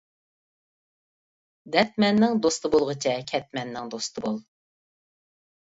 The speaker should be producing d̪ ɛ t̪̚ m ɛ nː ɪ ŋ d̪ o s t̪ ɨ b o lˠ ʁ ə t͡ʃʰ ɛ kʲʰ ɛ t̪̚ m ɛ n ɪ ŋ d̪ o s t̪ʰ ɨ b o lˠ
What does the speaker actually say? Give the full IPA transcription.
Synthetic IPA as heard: d̪ ɛ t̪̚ m ɛ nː ɪ ŋ d̪ o s t̪ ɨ b o lˠ ʁ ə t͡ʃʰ ɛ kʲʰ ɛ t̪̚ m ɛ nː ɪ ŋ d̪ o s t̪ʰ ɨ b o lˠ